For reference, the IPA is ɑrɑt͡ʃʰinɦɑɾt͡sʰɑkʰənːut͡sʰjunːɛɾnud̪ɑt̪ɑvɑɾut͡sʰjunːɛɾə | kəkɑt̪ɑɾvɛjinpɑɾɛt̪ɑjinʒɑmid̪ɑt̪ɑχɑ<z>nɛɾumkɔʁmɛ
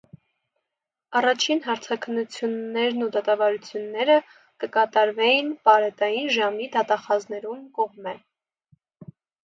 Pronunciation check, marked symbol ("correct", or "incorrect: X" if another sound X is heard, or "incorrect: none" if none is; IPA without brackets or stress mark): correct